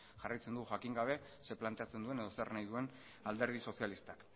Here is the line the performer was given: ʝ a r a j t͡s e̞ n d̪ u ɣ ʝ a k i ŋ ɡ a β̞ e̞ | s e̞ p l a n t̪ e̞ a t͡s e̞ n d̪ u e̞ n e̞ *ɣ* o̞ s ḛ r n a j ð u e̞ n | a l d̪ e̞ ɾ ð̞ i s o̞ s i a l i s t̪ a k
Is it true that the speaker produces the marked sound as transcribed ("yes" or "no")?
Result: no